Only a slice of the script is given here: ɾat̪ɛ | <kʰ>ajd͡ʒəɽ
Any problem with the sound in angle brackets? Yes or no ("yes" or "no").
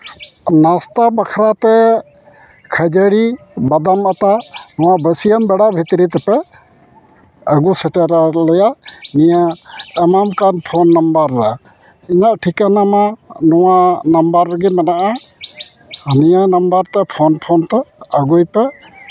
no